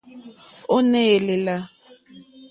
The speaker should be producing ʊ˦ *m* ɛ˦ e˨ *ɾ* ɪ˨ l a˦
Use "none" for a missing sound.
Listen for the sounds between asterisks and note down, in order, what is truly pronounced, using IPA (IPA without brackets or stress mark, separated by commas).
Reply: n, l